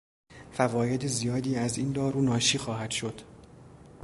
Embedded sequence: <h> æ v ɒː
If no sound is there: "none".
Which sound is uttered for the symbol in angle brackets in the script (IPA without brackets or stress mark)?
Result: f